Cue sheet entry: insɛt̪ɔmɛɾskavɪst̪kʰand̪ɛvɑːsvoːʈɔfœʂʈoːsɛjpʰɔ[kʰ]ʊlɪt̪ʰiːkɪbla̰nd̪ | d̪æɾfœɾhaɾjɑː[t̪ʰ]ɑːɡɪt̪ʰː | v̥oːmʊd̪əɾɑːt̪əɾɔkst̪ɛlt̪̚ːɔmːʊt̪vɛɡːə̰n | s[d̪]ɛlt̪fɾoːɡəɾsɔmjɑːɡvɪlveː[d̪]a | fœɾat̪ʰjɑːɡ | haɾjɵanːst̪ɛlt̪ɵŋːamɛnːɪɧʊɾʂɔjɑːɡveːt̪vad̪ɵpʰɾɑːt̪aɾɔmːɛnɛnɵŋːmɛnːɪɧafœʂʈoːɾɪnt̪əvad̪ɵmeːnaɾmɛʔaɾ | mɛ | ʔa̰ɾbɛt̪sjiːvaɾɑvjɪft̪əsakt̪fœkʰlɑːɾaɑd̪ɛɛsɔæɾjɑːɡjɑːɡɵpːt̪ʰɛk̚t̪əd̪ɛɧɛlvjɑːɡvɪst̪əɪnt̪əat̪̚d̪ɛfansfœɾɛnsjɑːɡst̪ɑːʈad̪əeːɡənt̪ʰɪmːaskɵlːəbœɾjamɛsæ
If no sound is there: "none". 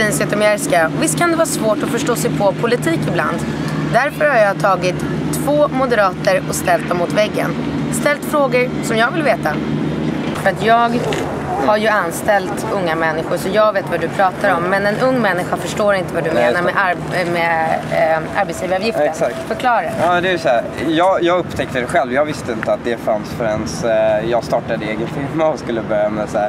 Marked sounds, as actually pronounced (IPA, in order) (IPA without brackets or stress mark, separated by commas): pʰ, t̪ʰ, t̪, t̪